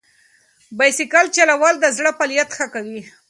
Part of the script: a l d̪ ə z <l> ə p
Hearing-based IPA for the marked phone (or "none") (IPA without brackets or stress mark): ɽ